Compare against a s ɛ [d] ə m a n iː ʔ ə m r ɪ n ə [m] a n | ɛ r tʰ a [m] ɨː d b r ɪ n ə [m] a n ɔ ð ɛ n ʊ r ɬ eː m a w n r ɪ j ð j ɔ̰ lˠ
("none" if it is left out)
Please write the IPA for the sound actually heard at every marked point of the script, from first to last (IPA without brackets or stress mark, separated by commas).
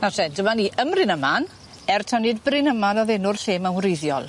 d, m, n, m